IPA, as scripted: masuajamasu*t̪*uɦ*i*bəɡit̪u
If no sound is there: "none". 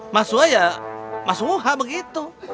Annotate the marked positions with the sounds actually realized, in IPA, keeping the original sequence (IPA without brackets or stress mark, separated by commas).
none, a